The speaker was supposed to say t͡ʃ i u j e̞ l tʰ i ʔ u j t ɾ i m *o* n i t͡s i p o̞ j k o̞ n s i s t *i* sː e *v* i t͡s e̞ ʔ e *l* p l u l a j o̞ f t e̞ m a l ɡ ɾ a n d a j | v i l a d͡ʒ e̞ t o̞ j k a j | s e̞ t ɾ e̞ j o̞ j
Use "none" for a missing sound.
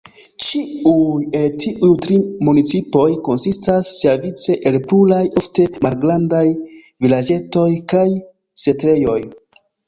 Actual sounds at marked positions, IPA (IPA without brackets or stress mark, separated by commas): u, a, v, l